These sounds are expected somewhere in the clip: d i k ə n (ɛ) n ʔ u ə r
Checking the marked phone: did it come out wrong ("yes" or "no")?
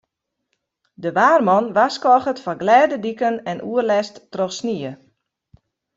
no